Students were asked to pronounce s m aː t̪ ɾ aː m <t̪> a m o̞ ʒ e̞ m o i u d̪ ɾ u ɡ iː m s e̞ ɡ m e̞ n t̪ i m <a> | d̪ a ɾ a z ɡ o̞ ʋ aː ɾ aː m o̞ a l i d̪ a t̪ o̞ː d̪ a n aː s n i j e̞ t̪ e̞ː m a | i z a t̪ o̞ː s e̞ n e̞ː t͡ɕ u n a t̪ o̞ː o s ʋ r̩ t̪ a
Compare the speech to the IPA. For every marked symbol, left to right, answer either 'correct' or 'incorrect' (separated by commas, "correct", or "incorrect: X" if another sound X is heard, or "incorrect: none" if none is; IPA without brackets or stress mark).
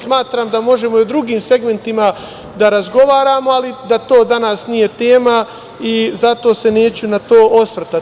incorrect: d̪, correct